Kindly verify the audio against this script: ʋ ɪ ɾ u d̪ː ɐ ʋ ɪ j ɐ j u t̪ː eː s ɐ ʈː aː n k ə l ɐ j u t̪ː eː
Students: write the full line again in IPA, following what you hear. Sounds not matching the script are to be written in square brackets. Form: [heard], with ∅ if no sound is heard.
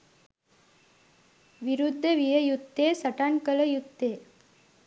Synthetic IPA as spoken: ʋ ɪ ɾ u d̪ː ɐ ʋ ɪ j ɐ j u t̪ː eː s ɐ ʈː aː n k [ɐ] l ɐ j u t̪ː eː

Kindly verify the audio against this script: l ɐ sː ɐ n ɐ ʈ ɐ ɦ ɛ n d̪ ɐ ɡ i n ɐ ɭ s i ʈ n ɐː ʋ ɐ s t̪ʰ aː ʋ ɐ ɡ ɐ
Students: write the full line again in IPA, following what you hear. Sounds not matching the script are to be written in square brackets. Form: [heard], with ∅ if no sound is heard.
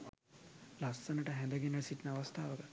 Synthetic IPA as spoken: l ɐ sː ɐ n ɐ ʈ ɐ ɦ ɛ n d̪ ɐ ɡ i n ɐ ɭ s i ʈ n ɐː ʋ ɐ s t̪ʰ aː ʋ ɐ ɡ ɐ

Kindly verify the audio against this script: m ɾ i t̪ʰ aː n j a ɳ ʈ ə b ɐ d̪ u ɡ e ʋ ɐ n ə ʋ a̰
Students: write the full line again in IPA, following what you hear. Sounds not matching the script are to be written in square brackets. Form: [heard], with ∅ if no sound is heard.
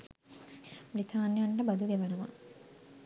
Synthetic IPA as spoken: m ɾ i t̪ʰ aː n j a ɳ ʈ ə b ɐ d̪ u ɡ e ʋ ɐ n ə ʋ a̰

